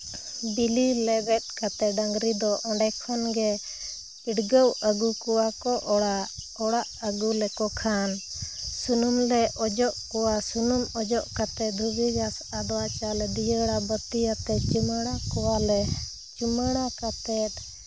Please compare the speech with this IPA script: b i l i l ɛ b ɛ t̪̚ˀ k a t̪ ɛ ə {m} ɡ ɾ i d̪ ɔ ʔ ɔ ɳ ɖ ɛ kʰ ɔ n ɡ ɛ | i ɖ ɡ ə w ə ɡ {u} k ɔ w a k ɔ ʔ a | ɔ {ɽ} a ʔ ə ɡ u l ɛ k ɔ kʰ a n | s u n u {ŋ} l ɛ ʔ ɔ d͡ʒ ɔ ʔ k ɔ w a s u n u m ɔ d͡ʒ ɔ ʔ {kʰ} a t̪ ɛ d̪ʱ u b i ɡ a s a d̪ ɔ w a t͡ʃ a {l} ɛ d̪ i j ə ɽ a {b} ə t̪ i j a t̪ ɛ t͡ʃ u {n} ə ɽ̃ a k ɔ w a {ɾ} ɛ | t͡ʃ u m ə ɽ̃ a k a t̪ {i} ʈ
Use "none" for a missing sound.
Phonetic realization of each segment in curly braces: ŋ, u, ɽ, m, k, l, b, m, l, ɛ

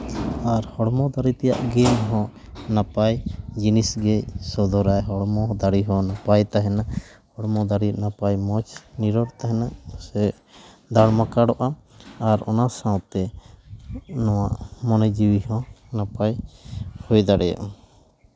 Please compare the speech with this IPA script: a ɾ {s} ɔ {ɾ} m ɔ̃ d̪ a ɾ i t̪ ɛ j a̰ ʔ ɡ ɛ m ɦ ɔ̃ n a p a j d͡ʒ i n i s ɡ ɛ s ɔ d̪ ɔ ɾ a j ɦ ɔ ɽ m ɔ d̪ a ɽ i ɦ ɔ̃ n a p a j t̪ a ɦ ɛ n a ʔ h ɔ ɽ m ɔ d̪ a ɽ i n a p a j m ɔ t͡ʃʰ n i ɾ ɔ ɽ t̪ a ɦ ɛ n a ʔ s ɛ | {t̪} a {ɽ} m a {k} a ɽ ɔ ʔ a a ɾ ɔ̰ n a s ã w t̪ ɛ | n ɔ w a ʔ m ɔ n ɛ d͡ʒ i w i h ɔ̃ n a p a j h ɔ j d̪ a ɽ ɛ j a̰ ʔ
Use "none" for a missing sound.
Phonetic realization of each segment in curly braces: h, ɽ, d̪, ɽ, k

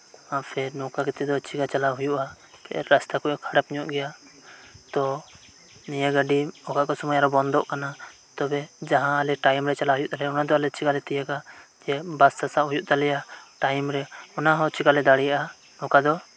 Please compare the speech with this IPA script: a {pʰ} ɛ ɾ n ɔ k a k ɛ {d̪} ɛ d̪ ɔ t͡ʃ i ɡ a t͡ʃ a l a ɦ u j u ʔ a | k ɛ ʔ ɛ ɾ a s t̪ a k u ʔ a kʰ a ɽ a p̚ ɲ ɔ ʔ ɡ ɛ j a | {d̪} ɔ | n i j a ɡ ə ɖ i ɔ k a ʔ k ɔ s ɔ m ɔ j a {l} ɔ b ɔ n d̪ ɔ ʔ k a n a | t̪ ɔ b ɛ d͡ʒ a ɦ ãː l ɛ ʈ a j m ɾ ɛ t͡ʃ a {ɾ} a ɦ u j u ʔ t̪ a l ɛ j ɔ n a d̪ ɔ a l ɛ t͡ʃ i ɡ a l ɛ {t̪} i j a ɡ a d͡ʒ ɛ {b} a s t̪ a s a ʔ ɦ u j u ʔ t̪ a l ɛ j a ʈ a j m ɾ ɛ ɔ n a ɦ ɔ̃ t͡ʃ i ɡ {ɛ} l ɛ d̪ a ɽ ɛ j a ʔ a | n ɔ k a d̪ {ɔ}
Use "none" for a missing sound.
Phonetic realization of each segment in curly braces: pʰ, t̪, t̪, ɾ, l, t̪, b, a, ɔ

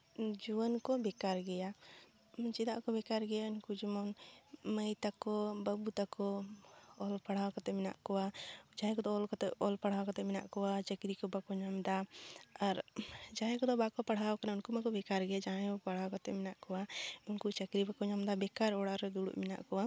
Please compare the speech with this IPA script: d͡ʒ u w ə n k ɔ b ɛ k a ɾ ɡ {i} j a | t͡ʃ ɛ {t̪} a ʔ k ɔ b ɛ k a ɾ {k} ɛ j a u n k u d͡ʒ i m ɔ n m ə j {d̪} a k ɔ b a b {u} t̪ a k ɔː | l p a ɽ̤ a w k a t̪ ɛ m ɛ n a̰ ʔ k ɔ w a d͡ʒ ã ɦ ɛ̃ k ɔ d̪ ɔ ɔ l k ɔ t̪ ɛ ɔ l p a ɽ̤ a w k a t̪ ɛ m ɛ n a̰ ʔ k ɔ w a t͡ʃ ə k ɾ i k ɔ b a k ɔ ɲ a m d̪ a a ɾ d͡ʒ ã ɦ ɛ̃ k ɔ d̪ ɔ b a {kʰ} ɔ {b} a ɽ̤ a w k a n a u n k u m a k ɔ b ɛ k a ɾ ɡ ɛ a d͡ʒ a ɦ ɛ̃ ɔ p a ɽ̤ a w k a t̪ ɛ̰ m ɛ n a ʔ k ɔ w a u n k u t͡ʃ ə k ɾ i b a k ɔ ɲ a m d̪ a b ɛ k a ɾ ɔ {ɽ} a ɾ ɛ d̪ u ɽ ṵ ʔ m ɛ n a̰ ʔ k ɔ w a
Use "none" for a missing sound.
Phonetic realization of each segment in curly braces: ɛ, d̪, ɡ, t̪, u, k, p, ɽ

